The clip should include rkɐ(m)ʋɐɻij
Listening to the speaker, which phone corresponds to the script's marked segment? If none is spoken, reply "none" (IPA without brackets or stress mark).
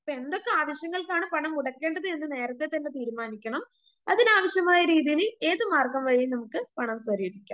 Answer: m